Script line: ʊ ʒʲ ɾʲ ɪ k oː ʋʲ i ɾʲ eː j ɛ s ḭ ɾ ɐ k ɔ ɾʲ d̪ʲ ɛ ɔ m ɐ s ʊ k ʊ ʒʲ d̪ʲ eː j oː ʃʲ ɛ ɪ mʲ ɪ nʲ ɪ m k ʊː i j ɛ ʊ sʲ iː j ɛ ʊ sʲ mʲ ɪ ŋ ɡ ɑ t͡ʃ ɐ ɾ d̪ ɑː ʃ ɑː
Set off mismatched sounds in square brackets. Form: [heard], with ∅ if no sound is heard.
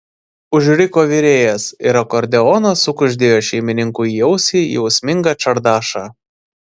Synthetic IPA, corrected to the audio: ʊ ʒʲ ɾʲ ɪ k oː ʋʲ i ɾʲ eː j ɛ s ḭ ɾ ɐ k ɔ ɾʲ d̪ʲ ɛ ɔ [n] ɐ s ʊ k ʊ ʒʲ d̪ʲ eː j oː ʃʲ ɛ ɪ mʲ ɪ nʲ ɪ [ŋ] k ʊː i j ɛ ʊ sʲ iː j ɛ ʊ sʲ mʲ ɪ ŋ ɡ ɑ t͡ʃ ɐ ɾ d̪ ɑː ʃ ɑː